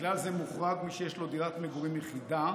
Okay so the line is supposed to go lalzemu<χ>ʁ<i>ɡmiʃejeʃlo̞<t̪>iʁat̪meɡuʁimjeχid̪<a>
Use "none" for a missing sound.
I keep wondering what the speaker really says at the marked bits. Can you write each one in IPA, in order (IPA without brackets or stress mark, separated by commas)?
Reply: χ, a, d̪, a